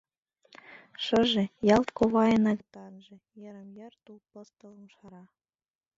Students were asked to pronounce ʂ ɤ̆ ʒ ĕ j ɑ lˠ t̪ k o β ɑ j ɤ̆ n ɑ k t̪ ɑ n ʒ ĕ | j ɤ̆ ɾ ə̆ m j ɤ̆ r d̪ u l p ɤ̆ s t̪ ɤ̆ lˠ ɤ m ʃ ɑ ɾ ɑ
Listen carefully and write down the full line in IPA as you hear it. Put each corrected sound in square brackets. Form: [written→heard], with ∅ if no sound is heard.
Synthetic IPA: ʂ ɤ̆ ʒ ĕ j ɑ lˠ t̪ k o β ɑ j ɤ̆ n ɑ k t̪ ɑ n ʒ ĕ | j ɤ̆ ɾ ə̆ m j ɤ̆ r [d̪→t̪] u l p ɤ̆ s t̪ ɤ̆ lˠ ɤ m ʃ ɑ ɾ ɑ